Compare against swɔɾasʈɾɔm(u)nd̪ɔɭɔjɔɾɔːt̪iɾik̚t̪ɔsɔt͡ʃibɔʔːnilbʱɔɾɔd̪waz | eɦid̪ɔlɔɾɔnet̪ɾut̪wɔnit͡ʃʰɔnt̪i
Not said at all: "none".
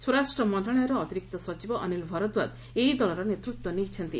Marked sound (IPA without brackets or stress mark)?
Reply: ɔ